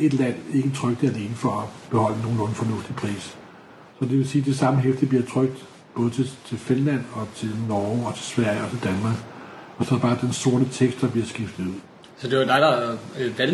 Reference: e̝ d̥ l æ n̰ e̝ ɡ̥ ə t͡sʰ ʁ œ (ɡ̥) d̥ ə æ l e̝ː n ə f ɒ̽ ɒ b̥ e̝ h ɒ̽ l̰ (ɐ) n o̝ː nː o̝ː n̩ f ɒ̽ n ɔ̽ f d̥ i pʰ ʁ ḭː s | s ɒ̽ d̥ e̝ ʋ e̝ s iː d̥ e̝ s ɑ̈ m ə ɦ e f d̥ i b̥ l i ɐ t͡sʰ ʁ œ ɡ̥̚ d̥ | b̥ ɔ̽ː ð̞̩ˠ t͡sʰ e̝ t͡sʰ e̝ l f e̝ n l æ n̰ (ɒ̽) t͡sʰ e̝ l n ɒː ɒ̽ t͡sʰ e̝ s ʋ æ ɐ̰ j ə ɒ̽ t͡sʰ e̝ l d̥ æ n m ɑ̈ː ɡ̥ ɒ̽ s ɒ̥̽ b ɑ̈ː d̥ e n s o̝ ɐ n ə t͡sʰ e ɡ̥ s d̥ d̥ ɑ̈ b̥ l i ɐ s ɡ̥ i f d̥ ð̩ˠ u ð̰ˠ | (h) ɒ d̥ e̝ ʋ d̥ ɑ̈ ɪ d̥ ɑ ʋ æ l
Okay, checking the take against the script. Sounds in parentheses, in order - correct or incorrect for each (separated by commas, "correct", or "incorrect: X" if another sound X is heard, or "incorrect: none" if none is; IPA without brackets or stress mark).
correct, incorrect: ə, correct, incorrect: s